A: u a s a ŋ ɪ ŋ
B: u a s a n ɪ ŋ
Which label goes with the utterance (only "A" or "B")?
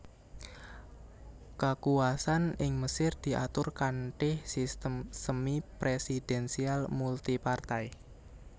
B